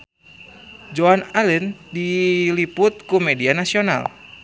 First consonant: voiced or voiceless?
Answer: voiced